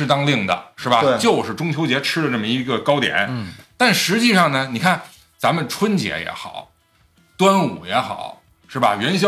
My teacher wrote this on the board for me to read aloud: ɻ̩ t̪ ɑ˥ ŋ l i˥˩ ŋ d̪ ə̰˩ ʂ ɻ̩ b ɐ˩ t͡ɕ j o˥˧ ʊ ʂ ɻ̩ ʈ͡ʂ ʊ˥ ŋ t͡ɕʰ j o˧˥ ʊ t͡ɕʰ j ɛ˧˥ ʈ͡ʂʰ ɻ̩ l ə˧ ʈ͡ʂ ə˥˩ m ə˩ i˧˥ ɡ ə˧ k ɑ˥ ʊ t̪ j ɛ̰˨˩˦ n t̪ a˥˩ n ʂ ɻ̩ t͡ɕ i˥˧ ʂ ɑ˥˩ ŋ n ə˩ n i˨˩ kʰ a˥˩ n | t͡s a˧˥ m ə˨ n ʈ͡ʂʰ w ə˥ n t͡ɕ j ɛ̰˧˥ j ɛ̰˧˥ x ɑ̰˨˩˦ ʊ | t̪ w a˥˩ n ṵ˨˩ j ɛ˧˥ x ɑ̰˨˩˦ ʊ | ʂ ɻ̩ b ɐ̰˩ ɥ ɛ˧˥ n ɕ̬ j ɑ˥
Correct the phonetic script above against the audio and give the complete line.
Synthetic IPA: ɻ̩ t̪ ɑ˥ ŋ l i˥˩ ŋ d̪ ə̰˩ ʂ ɻ̩ b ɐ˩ t͡ɕ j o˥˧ ʊ ʂ ɻ̩ ʈ͡ʂ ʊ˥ ŋ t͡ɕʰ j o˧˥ ʊ t͡ɕ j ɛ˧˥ ʈ͡ʂʰ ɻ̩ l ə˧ ʈ͡ʂ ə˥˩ m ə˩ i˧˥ ɡ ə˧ k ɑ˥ ʊ t̪ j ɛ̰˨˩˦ n t̪ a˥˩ n ʂ ɻ̩ t͡ɕ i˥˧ ʂ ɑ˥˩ ŋ n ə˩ n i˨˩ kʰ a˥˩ n | t͡s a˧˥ m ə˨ n ʈ͡ʂʰ w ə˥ n t͡ɕ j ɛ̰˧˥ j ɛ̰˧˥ x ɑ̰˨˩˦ ʊ | t̪ w a˥ n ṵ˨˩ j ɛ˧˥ x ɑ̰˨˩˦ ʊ | ʂ ɻ̩ b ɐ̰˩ ɥ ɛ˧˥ n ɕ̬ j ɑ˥